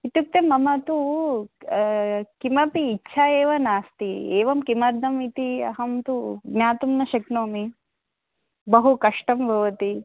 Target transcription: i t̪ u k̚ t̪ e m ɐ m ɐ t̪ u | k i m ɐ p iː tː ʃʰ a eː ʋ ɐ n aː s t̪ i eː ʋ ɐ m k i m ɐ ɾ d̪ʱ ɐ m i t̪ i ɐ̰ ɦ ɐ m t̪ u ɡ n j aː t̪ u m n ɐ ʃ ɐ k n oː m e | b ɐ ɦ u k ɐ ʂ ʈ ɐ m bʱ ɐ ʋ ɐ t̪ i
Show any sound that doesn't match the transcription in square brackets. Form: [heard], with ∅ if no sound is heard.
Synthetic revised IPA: i t̪ u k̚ t̪ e m ɐ m ɐ t̪ u | k i m ɐ p iː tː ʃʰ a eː ʋ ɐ n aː s t̪ i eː ʋ ɐ m k i m ɐ ɾ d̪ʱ ɐ m i t̪ i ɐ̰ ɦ ɐ m t̪ u ɡ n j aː t̪ u m n ɐ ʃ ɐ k n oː m [i] | b ɐ ɦ u k ɐ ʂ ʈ ɐ m bʱ ɐ ʋ ɐ t̪ i